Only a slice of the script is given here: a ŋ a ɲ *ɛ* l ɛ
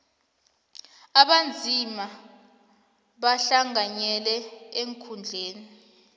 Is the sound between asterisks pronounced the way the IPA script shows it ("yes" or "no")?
yes